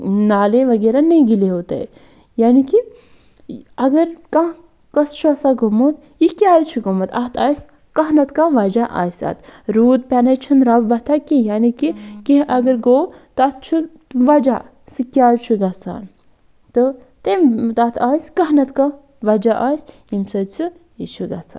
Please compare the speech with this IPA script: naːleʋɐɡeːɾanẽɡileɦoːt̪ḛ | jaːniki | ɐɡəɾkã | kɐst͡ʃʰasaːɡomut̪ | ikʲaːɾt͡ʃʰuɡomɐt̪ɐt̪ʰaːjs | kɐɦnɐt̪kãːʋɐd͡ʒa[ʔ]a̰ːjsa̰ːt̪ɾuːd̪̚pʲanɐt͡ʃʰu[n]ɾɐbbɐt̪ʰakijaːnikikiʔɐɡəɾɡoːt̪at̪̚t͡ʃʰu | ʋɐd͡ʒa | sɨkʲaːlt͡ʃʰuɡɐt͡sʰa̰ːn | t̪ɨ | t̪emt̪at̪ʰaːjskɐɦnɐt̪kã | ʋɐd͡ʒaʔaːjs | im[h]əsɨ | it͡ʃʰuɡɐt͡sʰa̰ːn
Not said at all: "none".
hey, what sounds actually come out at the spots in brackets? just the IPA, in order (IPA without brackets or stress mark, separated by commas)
ʔ, n, s